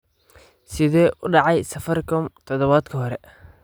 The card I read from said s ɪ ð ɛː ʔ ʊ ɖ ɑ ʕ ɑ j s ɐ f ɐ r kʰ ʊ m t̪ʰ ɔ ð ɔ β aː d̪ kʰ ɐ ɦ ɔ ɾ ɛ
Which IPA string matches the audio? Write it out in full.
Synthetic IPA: s ɪ ð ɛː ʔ ʊ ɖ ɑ ʕ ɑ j s ɐ f ɐ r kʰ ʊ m t̪ʰ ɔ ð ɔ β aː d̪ kʰ ɐ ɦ ɔ ɾ ɛ